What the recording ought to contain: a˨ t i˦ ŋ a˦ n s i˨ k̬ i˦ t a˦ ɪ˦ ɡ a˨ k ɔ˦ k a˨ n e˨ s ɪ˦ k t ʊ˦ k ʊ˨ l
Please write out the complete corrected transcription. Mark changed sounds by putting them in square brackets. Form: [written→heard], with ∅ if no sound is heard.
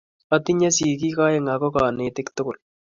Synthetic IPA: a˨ t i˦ [ŋ→ɲ] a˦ [n→∅] s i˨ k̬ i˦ [t→k] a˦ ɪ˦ [ɡ→ŋ] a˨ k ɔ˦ k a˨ n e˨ [s→t] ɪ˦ k t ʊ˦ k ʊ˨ l

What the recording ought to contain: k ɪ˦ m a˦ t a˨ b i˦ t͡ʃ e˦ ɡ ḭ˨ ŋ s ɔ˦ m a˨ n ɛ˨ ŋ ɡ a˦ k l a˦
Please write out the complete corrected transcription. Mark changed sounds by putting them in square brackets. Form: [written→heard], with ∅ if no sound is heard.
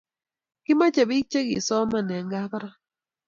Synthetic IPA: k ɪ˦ m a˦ [t→t͡ʃ] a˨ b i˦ t͡ʃ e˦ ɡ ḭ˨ [ŋ→∅] s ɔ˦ m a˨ n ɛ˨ ŋ ɡ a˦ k [l→ɾ] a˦

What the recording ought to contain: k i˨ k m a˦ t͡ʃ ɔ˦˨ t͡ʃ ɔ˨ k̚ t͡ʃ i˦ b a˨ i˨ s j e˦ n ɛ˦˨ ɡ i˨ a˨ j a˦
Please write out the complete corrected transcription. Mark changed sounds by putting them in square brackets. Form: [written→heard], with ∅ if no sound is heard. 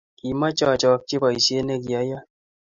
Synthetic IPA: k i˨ [k→∅] m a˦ t͡ʃ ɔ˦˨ t͡ʃ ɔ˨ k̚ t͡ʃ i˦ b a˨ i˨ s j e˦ n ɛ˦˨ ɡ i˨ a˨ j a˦

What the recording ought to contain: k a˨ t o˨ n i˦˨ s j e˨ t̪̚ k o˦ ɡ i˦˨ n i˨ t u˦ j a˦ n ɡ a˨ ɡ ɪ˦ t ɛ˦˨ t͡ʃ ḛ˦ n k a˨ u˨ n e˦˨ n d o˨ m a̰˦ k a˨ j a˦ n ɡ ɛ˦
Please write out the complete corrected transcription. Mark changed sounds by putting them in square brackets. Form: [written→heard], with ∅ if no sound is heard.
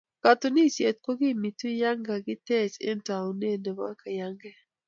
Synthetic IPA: k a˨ t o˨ n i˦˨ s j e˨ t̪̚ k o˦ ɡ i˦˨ [n→m] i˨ t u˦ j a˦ [n→ŋ] ɡ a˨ ɡ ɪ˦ t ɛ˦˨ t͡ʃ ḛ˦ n [k→t] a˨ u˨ n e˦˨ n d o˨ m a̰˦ k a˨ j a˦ [n→ŋ] ɡ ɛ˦

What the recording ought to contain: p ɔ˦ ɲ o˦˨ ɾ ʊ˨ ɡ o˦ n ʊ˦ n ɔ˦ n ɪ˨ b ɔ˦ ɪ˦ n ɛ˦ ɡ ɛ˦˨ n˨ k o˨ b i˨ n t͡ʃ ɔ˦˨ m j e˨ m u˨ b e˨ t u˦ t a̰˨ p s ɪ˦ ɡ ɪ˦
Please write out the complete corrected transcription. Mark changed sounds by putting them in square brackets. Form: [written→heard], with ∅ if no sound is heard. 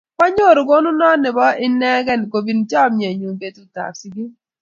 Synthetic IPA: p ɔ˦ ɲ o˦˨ ɾ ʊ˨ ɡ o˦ n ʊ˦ n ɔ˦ n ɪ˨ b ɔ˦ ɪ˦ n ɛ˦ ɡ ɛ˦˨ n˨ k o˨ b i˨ n t͡ʃ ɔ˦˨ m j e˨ [m→ɲ] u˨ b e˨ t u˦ t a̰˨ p s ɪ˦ ɡ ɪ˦

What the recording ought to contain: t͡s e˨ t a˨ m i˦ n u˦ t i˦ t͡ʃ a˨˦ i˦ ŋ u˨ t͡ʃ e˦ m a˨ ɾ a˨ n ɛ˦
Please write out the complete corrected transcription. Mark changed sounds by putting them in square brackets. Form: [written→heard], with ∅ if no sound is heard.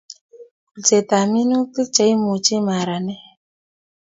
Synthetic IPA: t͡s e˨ t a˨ m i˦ n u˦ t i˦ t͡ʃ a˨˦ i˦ [ŋ→m] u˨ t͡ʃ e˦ m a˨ ɾ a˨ n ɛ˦

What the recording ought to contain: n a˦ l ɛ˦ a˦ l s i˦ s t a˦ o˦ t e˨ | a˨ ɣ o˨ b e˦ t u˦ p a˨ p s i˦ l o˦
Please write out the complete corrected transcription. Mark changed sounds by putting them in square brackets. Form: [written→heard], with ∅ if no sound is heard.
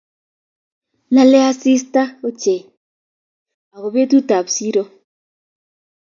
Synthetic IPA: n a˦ l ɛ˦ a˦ [l→∅] s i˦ s t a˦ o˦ [t→t͡ʃ] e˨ | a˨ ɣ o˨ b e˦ t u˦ [p→t] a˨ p s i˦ [l→ɾ] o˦

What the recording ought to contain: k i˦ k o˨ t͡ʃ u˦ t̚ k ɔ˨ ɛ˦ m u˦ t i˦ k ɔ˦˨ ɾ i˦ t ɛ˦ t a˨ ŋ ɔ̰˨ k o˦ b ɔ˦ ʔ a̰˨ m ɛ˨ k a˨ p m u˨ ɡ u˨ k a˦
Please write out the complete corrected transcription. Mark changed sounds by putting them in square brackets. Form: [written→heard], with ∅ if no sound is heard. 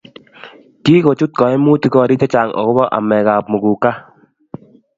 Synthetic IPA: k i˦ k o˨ t͡ʃ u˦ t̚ k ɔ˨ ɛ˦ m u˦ t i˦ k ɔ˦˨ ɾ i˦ t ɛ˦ [t→t͡ʃ] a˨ ŋ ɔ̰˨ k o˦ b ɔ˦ ʔ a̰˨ m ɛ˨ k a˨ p m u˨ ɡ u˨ k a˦

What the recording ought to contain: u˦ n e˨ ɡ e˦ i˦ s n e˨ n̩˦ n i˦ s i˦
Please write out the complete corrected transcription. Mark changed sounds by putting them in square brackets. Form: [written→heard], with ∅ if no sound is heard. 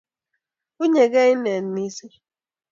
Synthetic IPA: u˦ [n→ɲ] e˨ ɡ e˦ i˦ [s→∅] n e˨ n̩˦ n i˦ s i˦

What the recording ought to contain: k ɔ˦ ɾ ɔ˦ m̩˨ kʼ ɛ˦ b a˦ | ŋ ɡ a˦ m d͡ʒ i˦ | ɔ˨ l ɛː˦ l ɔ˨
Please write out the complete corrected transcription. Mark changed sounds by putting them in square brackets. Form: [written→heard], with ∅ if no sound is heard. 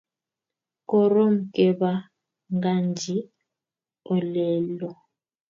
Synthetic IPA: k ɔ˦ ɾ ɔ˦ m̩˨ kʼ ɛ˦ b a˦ | ŋ ɡ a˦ [m→n] d͡ʒ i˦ | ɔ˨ l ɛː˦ l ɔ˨

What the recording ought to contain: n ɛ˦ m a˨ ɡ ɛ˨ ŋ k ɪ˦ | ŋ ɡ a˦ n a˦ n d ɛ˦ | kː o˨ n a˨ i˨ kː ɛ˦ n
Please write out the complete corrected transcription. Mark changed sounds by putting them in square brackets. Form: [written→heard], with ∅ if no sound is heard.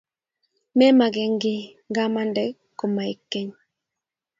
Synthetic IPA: [n→m] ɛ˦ m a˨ ɡ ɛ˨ ŋ [k→ɡ] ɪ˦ | ŋ ɡ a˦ [n→m] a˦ n d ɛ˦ | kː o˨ [n→m] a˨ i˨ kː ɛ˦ [n→ɲ]

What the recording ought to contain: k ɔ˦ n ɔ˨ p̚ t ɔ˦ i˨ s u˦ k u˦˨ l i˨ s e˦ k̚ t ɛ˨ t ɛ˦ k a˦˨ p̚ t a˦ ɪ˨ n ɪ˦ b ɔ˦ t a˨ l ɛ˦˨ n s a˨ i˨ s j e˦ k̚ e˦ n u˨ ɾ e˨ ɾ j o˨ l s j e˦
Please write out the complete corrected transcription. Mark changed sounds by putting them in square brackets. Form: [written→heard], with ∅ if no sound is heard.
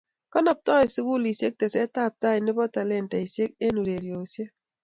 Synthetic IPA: k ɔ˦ n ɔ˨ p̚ t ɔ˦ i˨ s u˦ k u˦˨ l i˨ s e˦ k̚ t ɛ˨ [t→s] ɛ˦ [k→t] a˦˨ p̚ t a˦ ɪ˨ n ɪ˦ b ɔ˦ t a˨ l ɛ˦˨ n [s→t] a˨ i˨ s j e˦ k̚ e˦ n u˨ ɾ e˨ ɾ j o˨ [l→∅] s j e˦

